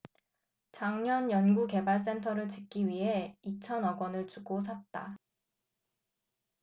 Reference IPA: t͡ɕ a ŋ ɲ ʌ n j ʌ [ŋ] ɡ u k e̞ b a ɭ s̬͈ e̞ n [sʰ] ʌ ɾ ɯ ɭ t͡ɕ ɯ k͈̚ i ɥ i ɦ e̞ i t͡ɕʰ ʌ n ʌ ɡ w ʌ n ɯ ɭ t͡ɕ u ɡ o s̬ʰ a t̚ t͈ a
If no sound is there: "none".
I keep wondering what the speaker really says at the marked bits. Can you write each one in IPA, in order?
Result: n, tʰ

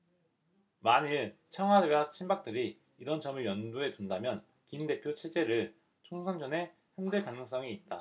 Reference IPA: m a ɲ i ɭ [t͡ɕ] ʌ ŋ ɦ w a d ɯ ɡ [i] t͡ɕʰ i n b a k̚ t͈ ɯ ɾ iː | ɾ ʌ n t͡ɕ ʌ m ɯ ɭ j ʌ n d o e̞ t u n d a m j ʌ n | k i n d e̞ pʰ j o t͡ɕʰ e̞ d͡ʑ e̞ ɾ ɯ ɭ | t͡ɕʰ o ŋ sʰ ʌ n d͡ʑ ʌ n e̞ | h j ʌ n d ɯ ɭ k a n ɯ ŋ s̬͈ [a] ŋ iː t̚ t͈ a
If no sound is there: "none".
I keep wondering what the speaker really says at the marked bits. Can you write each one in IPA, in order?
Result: t͡ɕʰ, a, ʌ

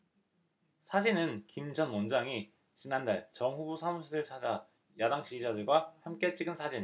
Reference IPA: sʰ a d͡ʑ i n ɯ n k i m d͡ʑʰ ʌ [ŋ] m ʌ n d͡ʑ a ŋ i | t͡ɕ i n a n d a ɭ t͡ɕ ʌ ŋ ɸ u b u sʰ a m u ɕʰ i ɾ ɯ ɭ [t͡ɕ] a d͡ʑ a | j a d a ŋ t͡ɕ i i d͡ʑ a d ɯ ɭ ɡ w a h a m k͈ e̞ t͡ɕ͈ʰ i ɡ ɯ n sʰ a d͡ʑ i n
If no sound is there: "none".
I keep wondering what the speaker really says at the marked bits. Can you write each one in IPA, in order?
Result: n, t͡ɕʰ

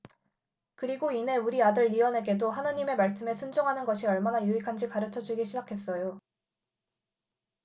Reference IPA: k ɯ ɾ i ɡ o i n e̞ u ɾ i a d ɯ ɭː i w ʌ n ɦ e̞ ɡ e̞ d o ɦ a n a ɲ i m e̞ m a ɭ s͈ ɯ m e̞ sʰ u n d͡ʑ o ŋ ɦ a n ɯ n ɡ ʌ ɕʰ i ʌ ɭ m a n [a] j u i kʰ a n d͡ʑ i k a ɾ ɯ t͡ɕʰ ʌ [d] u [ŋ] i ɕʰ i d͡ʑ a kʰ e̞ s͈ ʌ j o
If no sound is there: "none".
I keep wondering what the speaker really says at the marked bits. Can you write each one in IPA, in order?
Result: a, d͡ʑ, ɡ

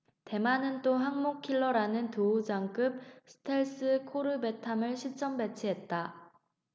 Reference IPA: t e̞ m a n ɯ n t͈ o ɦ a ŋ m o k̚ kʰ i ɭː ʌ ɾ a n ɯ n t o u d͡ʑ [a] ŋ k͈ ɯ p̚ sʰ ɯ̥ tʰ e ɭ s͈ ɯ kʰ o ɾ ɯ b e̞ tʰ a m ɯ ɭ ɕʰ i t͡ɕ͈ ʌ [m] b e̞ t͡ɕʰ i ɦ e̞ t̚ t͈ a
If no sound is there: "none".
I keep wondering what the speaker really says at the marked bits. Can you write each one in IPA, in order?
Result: a, m

